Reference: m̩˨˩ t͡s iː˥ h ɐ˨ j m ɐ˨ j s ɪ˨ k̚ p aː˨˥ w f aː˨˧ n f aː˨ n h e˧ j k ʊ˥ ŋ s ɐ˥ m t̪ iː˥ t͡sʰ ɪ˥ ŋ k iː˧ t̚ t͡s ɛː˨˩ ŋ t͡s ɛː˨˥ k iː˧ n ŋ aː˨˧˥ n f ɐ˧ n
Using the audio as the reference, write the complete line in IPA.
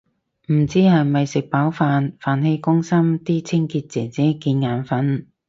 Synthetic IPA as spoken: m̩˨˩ t͡s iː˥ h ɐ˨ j m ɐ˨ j s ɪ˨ k̚ p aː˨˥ w f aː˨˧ n f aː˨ n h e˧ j k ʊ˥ ŋ s ɐ˥ m t̪ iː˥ t͡sʰ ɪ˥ ŋ k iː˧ t̚ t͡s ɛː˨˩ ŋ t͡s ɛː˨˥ k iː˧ n ŋ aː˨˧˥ n f ɐ˨˥ n